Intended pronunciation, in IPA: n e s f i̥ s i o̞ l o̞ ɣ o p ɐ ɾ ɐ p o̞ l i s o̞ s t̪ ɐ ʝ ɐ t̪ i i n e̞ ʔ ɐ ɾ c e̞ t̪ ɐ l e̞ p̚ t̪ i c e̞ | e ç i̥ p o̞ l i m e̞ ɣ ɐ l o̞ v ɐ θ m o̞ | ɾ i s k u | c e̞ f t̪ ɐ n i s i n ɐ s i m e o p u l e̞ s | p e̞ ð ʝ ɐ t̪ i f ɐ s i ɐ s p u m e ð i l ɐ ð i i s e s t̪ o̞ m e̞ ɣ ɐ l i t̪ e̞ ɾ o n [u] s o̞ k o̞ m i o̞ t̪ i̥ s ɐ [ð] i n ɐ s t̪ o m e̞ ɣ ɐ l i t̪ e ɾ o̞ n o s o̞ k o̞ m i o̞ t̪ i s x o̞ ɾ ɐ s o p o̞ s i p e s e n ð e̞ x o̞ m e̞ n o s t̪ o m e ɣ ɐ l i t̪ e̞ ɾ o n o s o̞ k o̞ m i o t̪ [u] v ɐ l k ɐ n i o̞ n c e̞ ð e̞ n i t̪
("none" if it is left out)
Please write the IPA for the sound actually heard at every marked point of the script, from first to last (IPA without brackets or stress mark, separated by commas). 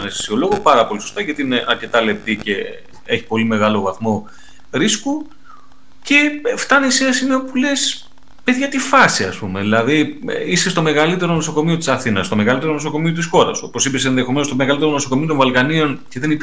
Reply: o, θ, o